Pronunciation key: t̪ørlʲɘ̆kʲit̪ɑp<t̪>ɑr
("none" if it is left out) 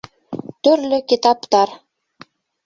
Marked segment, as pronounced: t̪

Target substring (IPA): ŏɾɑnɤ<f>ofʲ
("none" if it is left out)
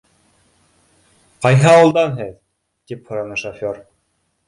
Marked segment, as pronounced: ʃ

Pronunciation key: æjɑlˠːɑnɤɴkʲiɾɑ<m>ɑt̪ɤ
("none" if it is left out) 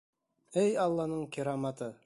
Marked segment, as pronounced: m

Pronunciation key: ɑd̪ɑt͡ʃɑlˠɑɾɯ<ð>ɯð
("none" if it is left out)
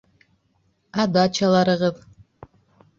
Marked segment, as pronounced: ʁ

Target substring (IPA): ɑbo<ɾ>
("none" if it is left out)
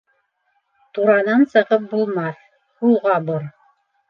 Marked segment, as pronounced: ɾ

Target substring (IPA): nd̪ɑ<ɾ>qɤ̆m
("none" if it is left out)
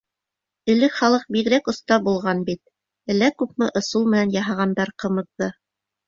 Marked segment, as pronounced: ɾ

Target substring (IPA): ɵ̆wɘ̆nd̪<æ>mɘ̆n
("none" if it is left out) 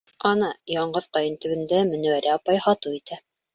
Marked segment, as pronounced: æ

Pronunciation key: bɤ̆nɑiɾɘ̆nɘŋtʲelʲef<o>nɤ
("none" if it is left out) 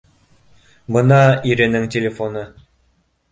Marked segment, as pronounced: o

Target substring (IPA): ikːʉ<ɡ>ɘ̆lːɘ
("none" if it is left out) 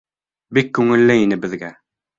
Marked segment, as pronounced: ŋ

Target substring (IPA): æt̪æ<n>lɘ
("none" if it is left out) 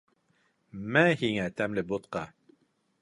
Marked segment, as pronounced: m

